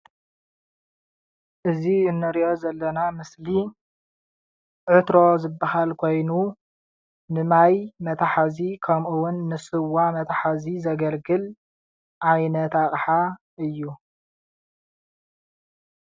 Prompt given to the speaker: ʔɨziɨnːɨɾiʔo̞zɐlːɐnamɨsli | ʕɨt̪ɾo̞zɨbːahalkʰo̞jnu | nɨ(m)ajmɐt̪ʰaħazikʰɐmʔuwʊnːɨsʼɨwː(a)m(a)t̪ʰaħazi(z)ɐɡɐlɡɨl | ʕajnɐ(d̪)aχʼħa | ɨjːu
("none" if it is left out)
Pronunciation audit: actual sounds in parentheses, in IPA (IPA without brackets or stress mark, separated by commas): m, a, ɐ, z, t̪